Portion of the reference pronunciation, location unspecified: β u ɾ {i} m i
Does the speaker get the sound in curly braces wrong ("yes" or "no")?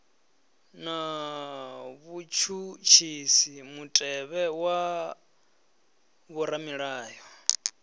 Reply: yes